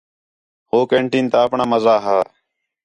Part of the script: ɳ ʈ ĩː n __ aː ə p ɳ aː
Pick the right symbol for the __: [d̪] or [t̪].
t̪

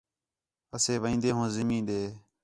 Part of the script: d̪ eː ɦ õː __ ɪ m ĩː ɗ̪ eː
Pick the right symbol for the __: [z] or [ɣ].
z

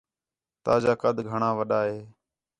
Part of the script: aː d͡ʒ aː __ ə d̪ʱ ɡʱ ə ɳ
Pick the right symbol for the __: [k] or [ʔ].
k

